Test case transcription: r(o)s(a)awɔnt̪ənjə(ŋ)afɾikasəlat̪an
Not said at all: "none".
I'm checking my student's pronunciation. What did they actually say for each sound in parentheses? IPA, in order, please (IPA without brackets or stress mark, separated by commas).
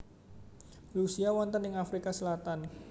u, i, ŋ